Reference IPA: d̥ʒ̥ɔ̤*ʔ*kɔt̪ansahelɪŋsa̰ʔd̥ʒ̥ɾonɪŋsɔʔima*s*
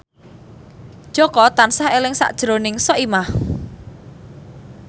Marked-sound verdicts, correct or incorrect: incorrect, incorrect

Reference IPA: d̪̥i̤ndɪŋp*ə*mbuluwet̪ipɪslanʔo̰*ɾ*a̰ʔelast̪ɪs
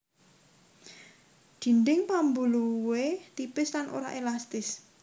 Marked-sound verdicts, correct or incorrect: incorrect, correct

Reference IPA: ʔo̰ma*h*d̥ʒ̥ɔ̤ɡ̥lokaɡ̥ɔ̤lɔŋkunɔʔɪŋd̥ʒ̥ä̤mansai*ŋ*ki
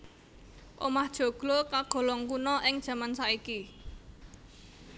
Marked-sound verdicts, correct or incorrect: correct, incorrect

